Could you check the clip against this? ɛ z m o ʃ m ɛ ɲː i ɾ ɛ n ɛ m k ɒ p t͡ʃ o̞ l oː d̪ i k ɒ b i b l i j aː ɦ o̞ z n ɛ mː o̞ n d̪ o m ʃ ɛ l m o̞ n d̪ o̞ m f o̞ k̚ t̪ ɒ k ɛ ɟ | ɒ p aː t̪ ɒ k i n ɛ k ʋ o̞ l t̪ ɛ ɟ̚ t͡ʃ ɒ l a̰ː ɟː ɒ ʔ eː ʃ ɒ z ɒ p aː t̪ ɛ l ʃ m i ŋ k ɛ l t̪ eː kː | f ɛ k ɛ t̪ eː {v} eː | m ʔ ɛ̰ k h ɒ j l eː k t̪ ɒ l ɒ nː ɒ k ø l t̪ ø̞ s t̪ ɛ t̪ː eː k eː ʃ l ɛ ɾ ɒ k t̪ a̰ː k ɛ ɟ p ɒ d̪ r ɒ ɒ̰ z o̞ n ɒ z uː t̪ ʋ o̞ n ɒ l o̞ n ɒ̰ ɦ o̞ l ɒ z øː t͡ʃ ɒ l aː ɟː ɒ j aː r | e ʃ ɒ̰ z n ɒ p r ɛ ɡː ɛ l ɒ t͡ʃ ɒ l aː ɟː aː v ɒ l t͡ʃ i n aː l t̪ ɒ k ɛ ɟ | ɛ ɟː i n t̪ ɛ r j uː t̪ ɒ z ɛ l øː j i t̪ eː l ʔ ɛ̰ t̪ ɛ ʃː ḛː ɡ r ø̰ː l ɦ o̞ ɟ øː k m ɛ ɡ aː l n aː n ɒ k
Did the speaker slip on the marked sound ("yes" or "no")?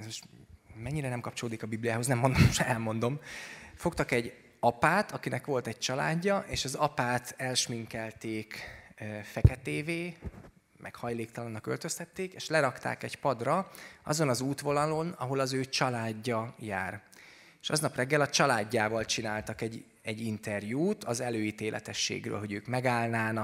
no